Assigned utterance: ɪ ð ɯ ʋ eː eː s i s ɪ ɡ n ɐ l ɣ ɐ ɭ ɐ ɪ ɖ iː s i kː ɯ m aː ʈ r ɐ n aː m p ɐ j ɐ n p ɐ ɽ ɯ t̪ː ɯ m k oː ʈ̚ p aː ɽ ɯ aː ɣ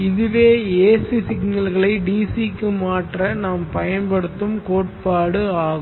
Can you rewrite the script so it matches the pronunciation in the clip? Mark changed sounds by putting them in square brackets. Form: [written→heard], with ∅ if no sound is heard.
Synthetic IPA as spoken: ɪ ð ɯ ʋ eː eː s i s ɪ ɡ n ɐ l ɣ ɐ ɭ ɐ ɪ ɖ iː s i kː ɯ m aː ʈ r ɐ n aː m p ɐ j ɐ n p ɐ ɽ ɯ t̪ː ɯ m k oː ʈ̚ p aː ɽ ɯ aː ɣ

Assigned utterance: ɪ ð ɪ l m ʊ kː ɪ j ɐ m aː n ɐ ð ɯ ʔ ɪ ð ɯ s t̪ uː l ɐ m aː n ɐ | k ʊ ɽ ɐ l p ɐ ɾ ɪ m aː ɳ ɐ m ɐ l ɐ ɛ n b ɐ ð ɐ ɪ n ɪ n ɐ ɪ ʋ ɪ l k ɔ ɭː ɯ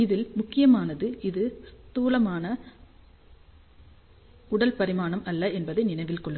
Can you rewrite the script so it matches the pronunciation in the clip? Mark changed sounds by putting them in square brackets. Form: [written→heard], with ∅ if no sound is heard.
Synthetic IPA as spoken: ɪ ð ɪ l m ʊ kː ɪ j ɐ m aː n ɐ ð ɯ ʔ ɪ ð ɯ s t̪ uː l ɐ m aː n ɐ | k ʊ ɽ ɐ l p ɐ ɾ ɪ m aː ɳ ɐ m ɐ [l→lː] ɐ ɛ n b ɐ ð ɐ ɪ n ɪ n ɐ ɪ ʋ ɪ l k ɔ ɭː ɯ

